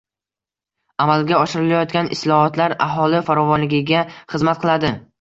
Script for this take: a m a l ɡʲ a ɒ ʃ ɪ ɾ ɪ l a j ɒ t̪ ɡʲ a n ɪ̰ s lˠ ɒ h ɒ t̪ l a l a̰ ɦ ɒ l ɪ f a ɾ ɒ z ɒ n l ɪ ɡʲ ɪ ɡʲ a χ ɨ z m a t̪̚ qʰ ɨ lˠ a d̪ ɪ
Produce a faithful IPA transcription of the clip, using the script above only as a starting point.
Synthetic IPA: a m a l ɡʲ a ɒ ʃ ɪ ɾ ɪ l a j ɒ t̪ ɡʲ a n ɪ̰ s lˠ ɒ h ɒ t̪ l a ɾ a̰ ɦ ɒ l ɪ f a ɾ ɒ v ɒ n l ɪ ɡʲ ɪ ɡʲ a χ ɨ z m a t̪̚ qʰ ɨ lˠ a d̪ ɪ